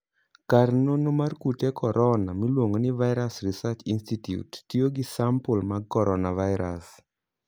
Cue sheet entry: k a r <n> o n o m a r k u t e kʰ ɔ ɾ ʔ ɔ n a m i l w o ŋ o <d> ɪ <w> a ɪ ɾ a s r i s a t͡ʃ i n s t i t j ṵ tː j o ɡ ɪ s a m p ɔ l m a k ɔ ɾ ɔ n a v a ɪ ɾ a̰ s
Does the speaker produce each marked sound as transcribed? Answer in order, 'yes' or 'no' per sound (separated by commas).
yes, no, no